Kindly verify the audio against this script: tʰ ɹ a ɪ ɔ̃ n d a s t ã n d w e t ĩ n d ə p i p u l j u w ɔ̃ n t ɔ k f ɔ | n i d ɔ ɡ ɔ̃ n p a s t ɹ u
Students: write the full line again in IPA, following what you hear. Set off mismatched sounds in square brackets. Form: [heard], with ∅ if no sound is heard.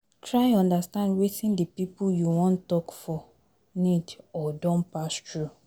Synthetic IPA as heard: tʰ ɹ a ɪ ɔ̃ n d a s t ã n d w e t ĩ n d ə p i p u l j u w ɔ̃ n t ɔ k f ɔ | n i d ɔ [d] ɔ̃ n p a s t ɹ u